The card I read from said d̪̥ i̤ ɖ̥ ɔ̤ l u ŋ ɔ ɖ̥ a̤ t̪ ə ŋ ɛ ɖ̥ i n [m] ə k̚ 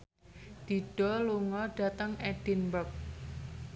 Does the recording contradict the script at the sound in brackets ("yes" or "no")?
yes